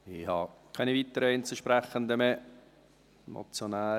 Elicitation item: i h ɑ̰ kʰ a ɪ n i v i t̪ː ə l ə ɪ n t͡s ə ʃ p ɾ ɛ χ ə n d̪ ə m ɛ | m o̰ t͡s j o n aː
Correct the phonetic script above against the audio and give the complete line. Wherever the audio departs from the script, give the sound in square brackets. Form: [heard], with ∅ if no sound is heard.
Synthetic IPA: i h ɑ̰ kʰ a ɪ n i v i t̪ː ə [ɾ] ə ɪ n t͡s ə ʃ p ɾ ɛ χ ə n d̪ ə m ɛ | m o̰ t͡s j o n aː